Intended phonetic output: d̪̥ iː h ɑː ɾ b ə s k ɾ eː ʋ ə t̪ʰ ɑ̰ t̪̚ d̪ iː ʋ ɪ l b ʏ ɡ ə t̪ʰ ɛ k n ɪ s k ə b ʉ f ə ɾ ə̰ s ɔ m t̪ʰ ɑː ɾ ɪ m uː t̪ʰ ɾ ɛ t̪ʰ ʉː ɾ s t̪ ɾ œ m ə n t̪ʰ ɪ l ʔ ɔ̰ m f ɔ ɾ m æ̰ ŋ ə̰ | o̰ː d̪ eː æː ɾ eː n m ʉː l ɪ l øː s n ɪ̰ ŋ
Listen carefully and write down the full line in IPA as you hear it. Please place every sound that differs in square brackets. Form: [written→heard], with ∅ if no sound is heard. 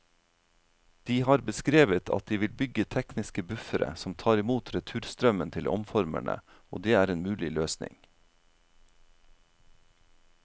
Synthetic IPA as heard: d̪̥ iː h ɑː ɾ b ə s k ɾ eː ʋ ə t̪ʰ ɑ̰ t̪̚ d̪ iː ʋ ɪ l b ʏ ɡ ə t̪ʰ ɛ k n ɪ s k ə b ʉ f ə ɾ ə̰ s ɔ m t̪ʰ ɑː ɾ ɪ m uː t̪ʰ ɾ ɛ t̪ʰ ʉː ɾ s t̪ ɾ œ m ə n t̪ʰ ɪ l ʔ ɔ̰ m f ɔ ɾ m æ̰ [ŋ→ɳ] ə̰ | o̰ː d̪ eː æː ɾ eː n m ʉː l ɪ l øː s n ɪ̰ ŋ

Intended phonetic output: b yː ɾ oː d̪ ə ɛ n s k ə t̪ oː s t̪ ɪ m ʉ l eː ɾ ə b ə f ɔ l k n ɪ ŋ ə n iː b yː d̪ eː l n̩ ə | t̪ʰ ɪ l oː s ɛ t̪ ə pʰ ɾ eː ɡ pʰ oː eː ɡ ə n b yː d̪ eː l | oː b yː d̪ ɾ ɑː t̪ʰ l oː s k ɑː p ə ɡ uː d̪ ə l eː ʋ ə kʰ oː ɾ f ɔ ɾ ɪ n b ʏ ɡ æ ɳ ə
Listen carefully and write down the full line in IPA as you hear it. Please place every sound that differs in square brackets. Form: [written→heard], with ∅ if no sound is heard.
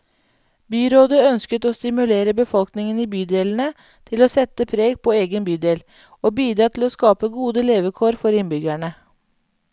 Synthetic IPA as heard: b yː ɾ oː d̪ ə [ɛ→œ] n s k ə t̪ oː s t̪ ɪ m ʉ l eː ɾ ə b ə f ɔ l k n ɪ ŋ ə n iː b yː d̪ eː l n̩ ə | t̪ʰ ɪ l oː s ɛ t̪ ə pʰ ɾ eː ɡ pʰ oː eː ɡ ə n b yː d̪ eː l | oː b yː d̪ ɾ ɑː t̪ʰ l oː s k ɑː p ə ɡ uː d̪ ə l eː ʋ ə kʰ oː ɾ f ɔ ɾ ɪ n b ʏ ɡ æ ɳ ə

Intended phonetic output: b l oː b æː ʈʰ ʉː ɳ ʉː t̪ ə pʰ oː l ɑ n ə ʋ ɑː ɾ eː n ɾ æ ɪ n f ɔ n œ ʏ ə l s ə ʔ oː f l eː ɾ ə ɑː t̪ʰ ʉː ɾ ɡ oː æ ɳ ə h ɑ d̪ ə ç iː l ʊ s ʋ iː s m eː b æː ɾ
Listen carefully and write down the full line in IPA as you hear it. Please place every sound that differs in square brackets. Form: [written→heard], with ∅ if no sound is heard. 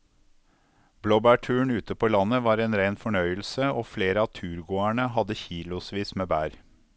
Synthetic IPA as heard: b l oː b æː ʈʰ ʉː ɳ ʉː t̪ ə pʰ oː l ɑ n ə ʋ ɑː ɾ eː n ɾ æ ɪ n f ɔ [n→ɳ] œ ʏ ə l s ə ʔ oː f l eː ɾ ə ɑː t̪ʰ ʉː ɾ ɡ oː æ ɳ ə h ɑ d̪ ə ç iː l ʊ s ʋ iː s m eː b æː ɾ

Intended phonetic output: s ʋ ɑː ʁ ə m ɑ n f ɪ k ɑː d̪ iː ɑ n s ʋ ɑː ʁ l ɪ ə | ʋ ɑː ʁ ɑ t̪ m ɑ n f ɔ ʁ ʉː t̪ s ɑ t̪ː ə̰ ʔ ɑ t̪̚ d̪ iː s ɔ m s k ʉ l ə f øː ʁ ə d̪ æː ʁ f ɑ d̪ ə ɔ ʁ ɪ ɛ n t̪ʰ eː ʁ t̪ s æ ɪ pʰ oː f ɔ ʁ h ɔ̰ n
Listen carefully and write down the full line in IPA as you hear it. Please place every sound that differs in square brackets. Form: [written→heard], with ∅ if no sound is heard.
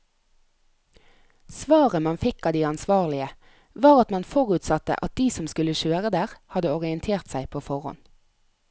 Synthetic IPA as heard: s ʋ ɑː ʁ ə m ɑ n f ɪ k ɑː d̪ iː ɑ n s ʋ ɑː ʁ l ɪ ə | ʋ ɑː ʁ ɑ t̪ m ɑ n f ɔ ʁ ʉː t̪ s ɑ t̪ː ə̰ ʔ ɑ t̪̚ d̪ iː s ɔ m s k ʉ l ə [f→ʃ] øː ʁ ə d̪ æː ʁ [f→h] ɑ d̪ ə ɔ ʁ ɪ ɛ n t̪ʰ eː ʁ t̪ s æ ɪ pʰ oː f ɔ ʁ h ɔ̰ n

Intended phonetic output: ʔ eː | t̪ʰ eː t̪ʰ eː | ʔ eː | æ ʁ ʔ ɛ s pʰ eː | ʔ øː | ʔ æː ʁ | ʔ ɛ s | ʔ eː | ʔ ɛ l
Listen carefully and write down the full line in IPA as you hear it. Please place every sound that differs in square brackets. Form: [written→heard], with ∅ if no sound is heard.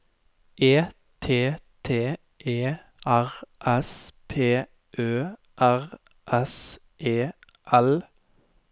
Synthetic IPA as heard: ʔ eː | t̪ʰ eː t̪ʰ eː | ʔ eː | æ ʁ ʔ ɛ s pʰ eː | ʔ øː | ʔ [æː→æ] ʁ | ʔ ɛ s | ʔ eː | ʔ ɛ l

